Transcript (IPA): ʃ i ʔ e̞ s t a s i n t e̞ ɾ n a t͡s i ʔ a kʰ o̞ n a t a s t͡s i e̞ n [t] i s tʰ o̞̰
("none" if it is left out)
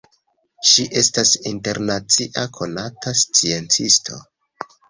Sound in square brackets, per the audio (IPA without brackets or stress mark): t͡s